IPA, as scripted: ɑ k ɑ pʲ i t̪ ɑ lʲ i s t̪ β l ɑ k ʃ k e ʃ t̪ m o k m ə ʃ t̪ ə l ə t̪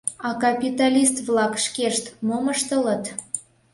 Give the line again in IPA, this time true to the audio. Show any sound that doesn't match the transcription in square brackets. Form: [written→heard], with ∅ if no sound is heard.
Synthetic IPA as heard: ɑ k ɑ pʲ i t̪ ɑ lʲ i s t̪ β l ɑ k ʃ k e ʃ t̪ m o [k→∅] m ə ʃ t̪ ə l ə t̪